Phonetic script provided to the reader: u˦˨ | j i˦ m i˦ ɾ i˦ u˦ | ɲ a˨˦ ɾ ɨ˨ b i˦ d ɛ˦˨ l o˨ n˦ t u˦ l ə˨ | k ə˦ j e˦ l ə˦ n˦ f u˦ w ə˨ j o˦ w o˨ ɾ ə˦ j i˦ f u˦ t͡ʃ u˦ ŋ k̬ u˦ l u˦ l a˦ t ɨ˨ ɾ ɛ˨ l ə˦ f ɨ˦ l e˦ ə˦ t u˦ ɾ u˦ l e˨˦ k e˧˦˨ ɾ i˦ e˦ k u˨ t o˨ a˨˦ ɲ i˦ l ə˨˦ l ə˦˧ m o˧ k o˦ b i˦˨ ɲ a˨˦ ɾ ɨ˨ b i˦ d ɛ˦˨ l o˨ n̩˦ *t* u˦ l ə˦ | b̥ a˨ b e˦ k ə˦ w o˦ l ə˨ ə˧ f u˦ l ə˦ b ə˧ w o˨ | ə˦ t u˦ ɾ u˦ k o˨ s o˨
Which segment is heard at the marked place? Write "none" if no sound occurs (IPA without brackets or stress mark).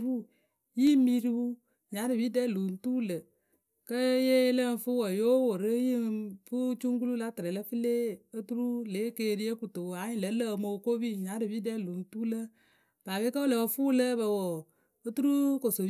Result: t